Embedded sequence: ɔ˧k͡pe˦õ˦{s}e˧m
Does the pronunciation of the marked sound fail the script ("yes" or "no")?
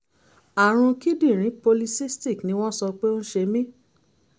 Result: yes